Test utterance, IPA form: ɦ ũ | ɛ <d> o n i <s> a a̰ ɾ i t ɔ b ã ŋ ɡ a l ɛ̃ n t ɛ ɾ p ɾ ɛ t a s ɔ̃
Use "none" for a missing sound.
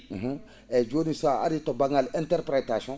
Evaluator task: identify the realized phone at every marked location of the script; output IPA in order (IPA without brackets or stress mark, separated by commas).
d͡ʒ, s